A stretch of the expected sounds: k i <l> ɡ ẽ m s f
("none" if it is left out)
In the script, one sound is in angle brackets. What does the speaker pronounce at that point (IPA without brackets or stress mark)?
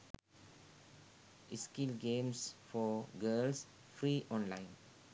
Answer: l